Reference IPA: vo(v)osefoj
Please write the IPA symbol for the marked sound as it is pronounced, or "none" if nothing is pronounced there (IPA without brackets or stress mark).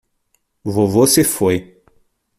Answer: v